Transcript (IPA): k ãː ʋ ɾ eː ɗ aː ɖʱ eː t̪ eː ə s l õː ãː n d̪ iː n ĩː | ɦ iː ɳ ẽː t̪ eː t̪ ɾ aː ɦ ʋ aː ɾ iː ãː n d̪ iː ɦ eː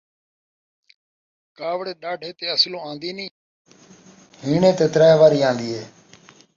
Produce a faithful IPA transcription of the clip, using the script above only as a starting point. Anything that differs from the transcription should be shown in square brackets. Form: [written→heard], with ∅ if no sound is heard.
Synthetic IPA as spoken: k [ãː→aː] ʋ [ɾ→ɽ] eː ɗ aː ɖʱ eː t̪ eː ə s l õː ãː n d̪ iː n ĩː | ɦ iː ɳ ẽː t̪ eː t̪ ɾ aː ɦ ʋ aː ɾ iː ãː n d̪ iː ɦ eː